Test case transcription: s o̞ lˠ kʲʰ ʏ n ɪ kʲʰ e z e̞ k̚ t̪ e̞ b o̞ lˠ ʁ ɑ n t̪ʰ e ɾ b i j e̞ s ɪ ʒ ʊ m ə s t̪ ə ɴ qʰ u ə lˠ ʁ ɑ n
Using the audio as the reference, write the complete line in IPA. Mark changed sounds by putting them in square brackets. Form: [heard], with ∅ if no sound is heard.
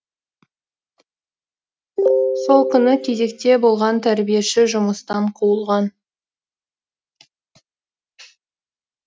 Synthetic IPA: s o̞ lˠ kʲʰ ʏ n ɪ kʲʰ e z e̞ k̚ t̪ e̞ b o̞ lˠ ʁ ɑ n t̪ʰ [æ] ɾ b i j e̞ [ʃ] ɪ ʒ ʊ m ə s t̪ [ɑ] ɴ qʰ u ə lˠ ʁ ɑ n